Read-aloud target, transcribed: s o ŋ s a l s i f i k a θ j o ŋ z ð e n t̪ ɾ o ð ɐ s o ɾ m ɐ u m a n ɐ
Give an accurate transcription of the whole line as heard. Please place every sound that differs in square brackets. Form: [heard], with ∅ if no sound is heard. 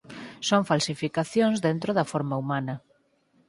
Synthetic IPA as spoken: s o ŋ [f] a l s i f i k a θ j o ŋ z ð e n t̪ ɾ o ð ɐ [f] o ɾ m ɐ u m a n ɐ